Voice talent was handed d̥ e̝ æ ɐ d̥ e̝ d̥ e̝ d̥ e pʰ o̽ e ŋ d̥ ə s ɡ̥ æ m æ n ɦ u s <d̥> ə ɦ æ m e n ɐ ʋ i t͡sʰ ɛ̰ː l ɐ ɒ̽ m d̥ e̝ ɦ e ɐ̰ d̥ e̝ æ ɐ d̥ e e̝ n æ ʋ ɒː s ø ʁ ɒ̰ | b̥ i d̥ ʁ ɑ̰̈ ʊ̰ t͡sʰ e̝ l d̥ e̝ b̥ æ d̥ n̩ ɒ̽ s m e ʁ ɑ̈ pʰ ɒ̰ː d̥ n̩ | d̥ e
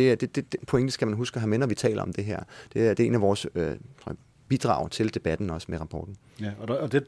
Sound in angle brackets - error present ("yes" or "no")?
yes